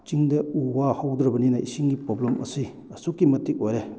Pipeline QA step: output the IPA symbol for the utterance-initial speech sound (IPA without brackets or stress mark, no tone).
t͡ʃ